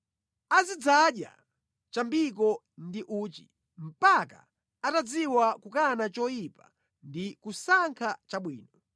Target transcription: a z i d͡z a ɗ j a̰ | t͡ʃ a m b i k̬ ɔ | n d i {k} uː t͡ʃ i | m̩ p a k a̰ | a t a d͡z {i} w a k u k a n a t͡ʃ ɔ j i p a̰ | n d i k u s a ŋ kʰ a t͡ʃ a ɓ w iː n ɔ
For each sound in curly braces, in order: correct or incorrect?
incorrect: ʔ, correct

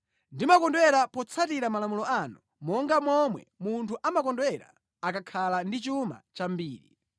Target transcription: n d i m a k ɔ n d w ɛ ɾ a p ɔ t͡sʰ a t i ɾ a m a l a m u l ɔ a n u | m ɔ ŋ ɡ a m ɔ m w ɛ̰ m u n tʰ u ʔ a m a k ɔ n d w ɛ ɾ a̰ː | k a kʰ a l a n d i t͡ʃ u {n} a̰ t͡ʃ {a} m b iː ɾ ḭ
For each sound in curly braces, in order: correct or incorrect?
incorrect: m, correct

